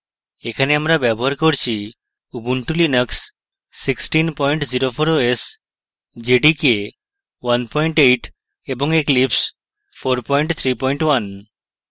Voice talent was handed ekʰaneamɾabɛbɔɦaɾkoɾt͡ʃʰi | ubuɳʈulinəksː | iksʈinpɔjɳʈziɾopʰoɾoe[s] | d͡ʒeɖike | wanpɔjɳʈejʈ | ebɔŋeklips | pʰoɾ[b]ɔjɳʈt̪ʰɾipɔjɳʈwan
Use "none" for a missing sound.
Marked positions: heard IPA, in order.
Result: s, p

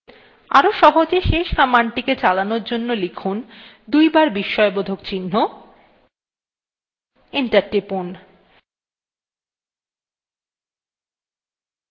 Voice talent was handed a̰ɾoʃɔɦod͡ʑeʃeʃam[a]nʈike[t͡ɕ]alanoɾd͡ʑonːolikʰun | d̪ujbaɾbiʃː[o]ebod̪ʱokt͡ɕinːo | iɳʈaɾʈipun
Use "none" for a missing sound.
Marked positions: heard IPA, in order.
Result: a, t͡ɕ, ɔ

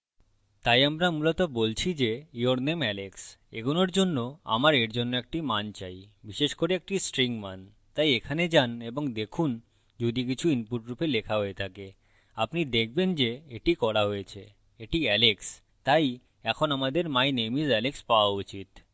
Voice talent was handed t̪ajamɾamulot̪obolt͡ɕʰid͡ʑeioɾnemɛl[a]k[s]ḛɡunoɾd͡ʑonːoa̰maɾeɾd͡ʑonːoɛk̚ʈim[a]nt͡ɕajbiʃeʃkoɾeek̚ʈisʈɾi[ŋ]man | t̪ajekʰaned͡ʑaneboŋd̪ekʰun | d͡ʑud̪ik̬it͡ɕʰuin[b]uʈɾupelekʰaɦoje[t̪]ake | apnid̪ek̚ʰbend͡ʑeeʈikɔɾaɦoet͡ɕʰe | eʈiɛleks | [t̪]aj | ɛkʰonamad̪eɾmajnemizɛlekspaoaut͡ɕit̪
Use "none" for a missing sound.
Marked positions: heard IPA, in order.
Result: e, s, a, ŋ, p, t̪ʰ, t̪

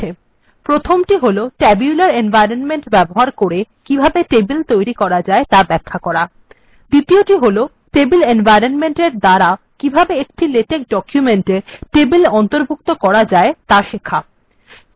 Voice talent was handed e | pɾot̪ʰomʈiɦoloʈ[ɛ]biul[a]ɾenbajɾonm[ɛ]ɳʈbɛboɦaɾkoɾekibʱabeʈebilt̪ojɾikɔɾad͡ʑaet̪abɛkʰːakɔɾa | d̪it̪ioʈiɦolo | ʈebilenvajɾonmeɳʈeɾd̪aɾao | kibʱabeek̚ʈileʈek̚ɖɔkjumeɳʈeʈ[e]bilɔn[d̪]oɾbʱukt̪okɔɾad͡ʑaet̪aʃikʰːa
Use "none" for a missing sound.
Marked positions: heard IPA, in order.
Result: ɛ, a, e, e, t̪

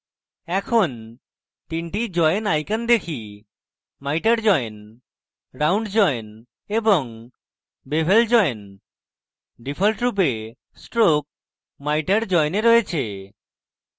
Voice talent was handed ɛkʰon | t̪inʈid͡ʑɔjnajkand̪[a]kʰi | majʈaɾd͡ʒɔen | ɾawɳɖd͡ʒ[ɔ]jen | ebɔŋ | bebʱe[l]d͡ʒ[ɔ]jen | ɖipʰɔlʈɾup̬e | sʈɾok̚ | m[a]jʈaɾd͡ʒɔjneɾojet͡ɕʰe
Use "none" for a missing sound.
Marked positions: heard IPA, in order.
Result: e, ɔ, l, ɔ, a

